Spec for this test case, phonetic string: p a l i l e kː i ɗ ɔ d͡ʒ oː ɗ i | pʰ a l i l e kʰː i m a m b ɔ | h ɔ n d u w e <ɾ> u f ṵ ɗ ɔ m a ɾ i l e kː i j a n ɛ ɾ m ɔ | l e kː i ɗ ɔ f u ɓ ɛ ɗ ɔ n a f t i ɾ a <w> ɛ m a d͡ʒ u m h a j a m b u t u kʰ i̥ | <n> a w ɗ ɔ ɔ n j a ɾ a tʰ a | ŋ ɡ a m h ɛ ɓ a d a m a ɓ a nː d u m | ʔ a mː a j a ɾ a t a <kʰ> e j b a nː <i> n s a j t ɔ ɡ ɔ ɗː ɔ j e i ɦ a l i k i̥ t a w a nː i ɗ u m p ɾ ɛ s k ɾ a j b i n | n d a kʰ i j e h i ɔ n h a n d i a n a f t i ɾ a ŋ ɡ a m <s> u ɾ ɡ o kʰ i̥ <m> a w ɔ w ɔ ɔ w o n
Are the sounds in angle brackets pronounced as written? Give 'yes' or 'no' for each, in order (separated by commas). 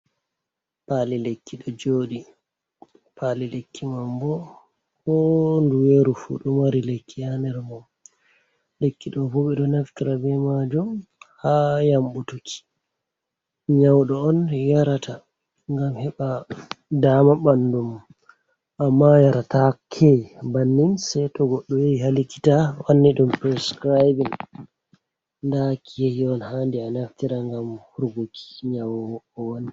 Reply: yes, no, no, yes, yes, no, no